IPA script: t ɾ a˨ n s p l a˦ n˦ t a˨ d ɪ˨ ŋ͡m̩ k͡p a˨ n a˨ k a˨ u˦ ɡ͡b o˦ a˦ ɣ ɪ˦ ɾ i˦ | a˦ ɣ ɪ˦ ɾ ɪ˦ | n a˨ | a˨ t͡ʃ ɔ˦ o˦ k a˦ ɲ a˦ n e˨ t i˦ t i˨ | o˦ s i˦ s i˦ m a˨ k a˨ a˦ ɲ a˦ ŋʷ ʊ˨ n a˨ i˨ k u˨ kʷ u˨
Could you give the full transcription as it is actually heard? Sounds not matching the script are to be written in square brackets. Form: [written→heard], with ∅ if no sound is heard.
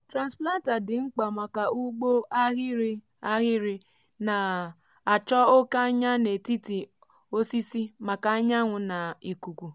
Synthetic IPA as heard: t ɾ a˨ n s p l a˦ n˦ t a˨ d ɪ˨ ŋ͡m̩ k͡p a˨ [n→m] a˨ k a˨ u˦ ɡ͡b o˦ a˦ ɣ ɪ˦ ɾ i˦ | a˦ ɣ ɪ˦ ɾ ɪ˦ | n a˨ | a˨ t͡ʃ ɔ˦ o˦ k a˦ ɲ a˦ n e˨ t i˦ t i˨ | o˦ s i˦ s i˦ m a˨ k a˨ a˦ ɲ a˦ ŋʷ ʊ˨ n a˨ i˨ k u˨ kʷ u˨

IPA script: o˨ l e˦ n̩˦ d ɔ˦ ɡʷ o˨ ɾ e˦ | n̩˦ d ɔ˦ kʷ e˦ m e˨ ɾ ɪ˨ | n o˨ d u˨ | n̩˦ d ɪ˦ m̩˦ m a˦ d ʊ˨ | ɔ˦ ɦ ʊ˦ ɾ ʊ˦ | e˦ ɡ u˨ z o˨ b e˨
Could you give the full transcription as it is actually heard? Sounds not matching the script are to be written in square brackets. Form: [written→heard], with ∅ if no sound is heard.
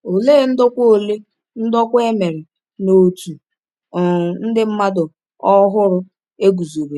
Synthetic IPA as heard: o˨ l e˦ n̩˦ d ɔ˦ [ɡʷ→kʷ] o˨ [ɾ→l] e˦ | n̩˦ d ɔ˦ kʷ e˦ m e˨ ɾ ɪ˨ | n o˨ [d→t] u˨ | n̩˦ d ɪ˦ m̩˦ m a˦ d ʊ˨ | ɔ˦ ɦ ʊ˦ ɾ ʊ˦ | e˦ ɡ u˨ z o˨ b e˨

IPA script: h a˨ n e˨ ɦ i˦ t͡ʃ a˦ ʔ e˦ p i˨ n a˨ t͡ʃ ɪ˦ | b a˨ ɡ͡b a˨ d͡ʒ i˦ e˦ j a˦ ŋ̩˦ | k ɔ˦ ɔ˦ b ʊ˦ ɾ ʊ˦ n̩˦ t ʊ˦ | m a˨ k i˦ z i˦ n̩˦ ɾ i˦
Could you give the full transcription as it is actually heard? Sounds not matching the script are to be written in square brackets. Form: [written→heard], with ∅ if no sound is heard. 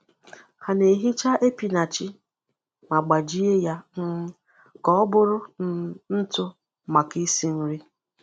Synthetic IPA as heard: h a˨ n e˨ ɦ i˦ t͡ʃ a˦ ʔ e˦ p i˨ n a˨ t͡ʃ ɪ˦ | [b→m] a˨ ɡ͡b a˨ d͡ʒ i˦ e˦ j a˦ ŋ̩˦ | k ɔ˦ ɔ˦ b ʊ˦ ɾ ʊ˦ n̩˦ t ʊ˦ | m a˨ k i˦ [z→s] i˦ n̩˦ ɾ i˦

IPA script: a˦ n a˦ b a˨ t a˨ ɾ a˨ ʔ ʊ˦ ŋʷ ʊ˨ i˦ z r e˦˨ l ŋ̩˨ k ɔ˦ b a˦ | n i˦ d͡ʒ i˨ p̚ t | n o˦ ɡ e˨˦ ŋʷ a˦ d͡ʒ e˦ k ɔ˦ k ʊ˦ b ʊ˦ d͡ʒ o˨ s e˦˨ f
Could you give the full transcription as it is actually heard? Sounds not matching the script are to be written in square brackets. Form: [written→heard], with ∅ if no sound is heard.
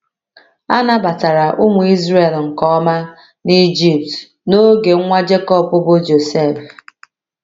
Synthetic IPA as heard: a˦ n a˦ b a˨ t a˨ ɾ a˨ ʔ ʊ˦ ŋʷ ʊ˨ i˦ z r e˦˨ l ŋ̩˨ k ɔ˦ [b→m] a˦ | n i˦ d͡ʒ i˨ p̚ t | n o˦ ɡ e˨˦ ŋʷ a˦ d͡ʒ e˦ k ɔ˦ [k→p] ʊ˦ b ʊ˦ d͡ʒ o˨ s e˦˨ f

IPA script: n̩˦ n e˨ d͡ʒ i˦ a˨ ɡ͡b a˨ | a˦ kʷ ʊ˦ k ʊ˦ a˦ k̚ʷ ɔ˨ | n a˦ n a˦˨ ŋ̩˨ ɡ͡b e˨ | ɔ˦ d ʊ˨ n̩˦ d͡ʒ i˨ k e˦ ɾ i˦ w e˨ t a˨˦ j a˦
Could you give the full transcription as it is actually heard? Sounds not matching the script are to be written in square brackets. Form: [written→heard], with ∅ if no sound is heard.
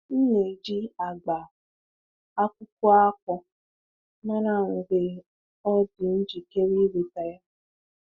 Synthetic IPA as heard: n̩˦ n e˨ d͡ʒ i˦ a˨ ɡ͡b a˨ | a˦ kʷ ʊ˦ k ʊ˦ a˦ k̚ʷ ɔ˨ | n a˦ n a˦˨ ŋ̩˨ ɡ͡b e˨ | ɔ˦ d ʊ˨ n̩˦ d͡ʒ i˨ k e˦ ɾ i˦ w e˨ t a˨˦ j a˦

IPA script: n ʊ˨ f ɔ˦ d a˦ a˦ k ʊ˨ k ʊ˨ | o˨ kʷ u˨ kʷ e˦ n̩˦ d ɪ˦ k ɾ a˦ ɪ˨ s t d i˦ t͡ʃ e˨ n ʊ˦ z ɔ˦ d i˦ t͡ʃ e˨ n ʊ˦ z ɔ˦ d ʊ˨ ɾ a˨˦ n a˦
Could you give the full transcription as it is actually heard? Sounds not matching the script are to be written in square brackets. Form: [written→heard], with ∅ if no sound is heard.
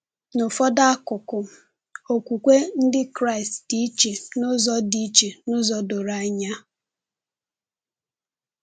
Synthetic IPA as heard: n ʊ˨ f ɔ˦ d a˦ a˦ k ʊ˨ k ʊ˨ | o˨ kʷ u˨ kʷ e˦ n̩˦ d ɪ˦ k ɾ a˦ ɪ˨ s t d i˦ t͡ʃ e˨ n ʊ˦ z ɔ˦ d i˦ t͡ʃ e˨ n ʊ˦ z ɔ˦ d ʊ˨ ɾ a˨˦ [n→ɲ] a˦

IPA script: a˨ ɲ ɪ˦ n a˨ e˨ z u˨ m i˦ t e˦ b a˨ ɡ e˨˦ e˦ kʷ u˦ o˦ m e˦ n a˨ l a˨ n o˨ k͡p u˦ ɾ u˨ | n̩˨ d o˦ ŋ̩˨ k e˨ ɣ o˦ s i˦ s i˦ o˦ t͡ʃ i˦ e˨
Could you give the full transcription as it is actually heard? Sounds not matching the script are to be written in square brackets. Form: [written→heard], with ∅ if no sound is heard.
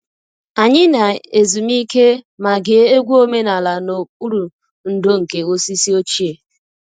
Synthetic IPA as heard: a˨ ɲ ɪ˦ n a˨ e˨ z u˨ m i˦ [t→k] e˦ [b→m] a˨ ɡ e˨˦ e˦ [kʷ→ɡʷ] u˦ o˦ m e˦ n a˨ l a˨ n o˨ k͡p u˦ ɾ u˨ | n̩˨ d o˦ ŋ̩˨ k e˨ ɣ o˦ s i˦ s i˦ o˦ t͡ʃ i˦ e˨

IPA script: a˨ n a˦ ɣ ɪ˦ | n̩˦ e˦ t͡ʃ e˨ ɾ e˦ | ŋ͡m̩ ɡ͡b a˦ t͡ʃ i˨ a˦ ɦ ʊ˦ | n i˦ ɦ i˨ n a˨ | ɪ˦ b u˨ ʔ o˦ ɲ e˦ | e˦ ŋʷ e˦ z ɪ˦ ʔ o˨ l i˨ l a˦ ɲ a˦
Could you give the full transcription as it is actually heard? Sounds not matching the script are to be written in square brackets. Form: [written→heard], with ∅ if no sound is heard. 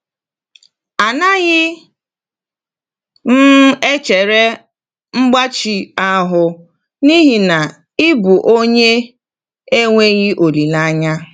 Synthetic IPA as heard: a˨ n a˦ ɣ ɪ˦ | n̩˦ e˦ t͡ʃ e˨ ɾ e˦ | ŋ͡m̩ ɡ͡b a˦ t͡ʃ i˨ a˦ ɦ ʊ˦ | n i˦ ɦ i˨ n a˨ | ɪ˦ b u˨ ʔ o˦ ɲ e˦ | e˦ ŋʷ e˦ [z→ɣ] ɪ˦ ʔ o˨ l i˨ l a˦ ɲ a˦

